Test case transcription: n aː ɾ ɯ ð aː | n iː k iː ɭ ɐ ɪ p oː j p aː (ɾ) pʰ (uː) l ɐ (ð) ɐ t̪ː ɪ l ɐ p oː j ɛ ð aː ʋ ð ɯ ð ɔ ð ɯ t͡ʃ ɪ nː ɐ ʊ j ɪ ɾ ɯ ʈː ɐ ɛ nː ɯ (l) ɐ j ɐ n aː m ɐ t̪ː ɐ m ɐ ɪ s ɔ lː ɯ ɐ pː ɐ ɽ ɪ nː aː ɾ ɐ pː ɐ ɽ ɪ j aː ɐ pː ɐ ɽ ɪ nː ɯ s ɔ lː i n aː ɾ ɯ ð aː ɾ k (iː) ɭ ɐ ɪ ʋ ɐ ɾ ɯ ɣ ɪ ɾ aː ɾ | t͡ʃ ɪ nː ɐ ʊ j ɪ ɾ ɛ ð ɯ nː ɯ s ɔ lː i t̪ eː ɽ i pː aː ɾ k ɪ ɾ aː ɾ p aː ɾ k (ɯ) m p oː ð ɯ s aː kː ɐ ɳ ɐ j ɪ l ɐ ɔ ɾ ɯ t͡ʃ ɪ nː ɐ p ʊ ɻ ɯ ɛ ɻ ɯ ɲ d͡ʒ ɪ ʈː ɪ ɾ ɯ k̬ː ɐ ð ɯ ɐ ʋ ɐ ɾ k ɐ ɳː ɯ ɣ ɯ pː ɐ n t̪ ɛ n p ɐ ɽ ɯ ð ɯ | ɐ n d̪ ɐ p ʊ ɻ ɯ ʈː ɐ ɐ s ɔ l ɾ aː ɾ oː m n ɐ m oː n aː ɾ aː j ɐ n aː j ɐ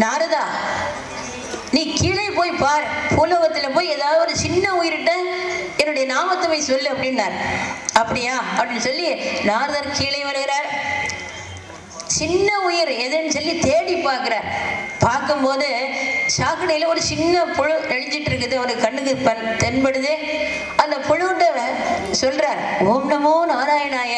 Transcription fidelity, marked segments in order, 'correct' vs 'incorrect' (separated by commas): correct, correct, incorrect, incorrect, correct, correct